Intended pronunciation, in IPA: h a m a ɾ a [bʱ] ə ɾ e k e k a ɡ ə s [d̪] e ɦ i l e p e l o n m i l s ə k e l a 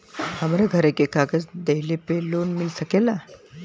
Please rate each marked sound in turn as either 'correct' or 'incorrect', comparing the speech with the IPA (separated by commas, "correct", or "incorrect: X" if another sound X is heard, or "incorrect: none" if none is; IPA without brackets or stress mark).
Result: incorrect: ɡʱ, correct